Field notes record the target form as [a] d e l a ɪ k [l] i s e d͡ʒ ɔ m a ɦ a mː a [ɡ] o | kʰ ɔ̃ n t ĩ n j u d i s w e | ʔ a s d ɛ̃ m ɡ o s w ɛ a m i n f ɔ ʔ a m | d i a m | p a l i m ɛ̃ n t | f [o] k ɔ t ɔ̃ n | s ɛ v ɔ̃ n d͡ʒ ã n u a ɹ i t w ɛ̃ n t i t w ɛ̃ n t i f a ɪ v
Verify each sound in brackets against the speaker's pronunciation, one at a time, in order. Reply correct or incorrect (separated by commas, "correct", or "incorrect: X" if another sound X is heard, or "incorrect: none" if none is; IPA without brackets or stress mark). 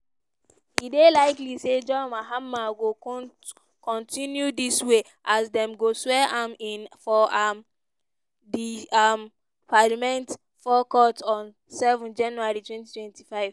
incorrect: i, correct, correct, incorrect: ɔ